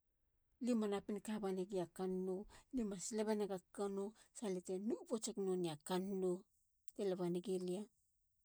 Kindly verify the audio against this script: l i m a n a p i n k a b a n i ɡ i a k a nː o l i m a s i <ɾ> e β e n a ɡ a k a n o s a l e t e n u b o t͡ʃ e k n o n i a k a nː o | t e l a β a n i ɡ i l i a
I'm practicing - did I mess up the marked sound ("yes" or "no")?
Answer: yes